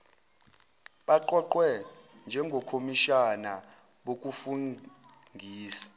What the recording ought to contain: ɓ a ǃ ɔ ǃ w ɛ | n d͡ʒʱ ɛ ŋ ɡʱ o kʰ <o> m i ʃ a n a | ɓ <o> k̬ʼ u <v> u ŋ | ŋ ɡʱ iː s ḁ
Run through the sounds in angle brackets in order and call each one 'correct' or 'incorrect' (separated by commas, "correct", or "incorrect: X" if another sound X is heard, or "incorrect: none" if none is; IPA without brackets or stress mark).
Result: correct, correct, incorrect: f